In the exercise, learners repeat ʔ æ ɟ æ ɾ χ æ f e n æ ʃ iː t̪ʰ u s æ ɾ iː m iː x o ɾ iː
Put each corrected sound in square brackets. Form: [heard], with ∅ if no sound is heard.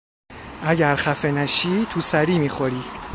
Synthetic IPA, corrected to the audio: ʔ æ ɟ æ ɾ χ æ f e n æ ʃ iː t̪ʰ u s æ ɾ iː m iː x o ɾ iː

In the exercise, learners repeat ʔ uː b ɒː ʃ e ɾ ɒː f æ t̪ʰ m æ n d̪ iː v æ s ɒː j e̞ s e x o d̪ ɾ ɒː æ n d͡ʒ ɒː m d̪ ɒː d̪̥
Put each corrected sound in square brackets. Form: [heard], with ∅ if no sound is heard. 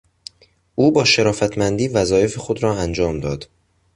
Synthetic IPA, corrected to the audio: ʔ uː b ɒː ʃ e ɾ ɒː f æ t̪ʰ m æ n d̪ iː v æ [z] ɒː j e̞ [f] e x o d̪ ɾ ɒː æ n d͡ʒ ɒː m d̪ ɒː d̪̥

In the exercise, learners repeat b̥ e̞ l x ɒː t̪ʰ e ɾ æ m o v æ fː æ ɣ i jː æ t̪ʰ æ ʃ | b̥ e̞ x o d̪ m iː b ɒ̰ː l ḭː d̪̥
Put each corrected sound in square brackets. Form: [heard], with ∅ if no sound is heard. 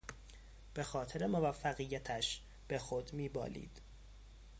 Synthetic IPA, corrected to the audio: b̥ e̞ [∅] x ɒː t̪ʰ e ɾ [e] m o v æ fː æ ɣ i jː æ t̪ʰ æ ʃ | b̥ e̞ x o d̪ m iː b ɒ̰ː l ḭː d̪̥

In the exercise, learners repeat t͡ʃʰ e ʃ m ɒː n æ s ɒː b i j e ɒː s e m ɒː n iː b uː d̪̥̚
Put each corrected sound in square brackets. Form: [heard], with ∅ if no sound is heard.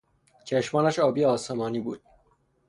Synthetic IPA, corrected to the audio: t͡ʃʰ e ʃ m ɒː n æ [ʃ] ɒː b i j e ɒː s e m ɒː n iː b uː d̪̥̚

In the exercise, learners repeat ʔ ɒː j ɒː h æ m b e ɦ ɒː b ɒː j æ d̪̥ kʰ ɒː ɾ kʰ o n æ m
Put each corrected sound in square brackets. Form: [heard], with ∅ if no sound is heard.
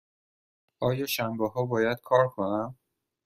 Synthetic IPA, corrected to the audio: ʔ ɒː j ɒː [ʃ] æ m b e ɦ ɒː b ɒː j æ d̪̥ kʰ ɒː ɾ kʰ o n æ m

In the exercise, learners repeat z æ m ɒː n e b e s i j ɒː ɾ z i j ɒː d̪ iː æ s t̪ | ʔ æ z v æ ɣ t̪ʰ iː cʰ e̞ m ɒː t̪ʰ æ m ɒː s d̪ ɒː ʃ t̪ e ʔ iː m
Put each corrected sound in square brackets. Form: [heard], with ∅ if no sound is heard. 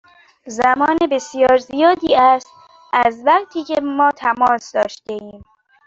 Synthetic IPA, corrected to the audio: z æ m ɒː n e b e s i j ɒː ɾ z i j ɒː d̪ iː æ s t̪ | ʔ æ z v æ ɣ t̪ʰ iː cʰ e̞ m ɒː t̪ʰ æ m ɒː s d̪ ɒː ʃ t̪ e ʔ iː m

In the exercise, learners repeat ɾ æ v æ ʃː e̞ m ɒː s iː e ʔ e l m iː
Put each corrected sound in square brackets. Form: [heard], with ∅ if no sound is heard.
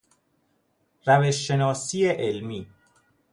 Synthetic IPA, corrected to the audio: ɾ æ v [e] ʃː e̞ [n] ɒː s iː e ʔ e l m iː

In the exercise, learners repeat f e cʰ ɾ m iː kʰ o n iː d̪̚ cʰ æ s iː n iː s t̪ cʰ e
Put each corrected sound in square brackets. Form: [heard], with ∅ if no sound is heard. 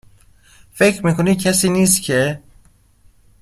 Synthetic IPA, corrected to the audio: f e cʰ ɾ m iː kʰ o n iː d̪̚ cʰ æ s iː n iː s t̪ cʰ e

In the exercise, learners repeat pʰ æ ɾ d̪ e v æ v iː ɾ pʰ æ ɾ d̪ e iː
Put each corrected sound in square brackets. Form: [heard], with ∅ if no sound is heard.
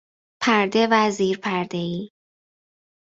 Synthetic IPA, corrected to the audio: pʰ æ ɾ d̪ e v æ [z] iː ɾ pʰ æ ɾ d̪ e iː

